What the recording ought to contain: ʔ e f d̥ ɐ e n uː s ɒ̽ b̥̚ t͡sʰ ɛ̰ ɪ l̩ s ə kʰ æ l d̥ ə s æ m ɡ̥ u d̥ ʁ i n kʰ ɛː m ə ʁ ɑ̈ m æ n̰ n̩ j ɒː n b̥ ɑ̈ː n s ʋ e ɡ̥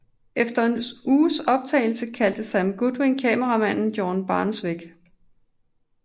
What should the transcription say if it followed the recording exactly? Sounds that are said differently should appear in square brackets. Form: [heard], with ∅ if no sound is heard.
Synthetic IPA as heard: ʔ e f d̥ ɐ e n uː s ɒ̽ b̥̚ t͡sʰ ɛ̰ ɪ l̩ s ə kʰ æ l d̥ ə s æ m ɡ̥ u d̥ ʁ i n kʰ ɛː m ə ʁ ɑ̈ m æ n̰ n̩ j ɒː n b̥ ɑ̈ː n s ʋ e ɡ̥